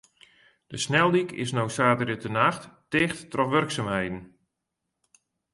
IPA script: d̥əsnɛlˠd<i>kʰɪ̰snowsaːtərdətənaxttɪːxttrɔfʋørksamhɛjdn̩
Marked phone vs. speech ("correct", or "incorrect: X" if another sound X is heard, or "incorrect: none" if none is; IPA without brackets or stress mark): correct